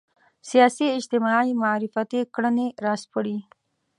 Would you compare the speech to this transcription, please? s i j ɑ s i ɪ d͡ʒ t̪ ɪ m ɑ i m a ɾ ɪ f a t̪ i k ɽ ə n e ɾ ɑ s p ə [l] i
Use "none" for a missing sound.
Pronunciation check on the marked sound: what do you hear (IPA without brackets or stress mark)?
ɽ